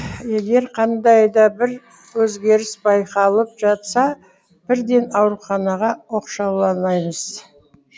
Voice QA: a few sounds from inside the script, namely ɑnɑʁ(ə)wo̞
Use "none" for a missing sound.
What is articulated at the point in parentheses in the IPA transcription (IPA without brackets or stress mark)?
ɑ